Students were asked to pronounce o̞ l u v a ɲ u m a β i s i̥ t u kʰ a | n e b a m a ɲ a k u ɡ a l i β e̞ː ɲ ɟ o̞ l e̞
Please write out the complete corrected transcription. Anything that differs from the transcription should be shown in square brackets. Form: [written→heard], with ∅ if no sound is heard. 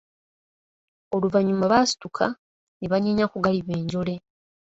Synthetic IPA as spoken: o̞ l u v a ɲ u m a β [i→a] s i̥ t u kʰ a | n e [b→β] a [m→ɲ] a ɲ a k u ɡ a l i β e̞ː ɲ ɟ o̞ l e̞